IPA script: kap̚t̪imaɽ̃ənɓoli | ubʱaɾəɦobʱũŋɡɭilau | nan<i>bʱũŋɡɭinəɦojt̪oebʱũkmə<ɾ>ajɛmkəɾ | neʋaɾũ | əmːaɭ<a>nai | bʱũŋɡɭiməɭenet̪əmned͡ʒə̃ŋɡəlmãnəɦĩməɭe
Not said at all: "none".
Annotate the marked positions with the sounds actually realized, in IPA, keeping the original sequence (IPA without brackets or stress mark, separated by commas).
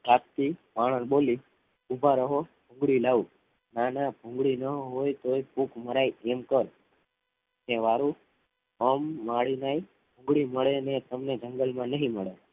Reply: a, ɾ, i